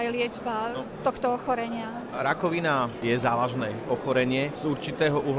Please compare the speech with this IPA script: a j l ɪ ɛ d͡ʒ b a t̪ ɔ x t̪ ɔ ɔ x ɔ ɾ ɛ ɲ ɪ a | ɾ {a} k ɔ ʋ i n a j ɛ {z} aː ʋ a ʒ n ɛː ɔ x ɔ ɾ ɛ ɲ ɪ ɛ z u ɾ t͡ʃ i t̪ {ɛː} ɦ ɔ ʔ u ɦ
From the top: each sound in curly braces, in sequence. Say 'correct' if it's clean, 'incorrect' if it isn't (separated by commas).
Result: correct, correct, correct